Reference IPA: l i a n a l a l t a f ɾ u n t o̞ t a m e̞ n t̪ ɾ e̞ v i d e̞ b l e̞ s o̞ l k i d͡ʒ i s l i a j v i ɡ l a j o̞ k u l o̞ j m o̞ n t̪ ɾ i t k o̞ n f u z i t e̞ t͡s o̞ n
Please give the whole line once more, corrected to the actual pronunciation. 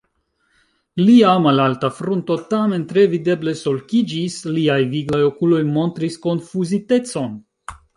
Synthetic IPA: l i a m a l a l t a f ɾ u n t o̞ t a m e̞ n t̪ ɾ e̞ v i d e̞ b l e̞ s o̞ l k i d͡ʒ i s l i a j v i ɡ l a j o̞ k u l o̞ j m o̞ n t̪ ɾ i s k o̞ n f u z i t e̞ t͡s o̞ n